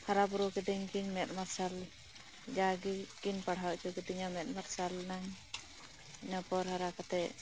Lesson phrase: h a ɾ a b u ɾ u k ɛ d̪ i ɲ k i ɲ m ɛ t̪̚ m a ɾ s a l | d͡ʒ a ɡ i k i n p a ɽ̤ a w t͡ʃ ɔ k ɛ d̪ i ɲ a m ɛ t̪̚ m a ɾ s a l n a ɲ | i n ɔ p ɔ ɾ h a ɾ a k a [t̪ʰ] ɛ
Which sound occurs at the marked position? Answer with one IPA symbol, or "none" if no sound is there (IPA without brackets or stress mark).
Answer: t̪